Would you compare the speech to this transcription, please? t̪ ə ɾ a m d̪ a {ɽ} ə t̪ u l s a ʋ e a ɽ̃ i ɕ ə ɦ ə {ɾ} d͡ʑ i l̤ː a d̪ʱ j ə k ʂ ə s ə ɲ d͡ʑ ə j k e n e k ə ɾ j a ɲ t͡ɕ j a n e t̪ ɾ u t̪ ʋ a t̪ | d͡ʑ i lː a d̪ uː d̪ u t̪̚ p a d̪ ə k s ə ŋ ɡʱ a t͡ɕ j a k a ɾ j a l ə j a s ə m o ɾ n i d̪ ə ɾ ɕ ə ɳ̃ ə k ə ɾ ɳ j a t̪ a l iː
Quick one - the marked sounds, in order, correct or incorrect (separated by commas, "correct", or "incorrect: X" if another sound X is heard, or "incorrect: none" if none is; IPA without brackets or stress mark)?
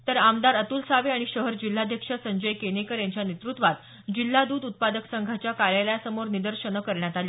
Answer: incorrect: ɾ, correct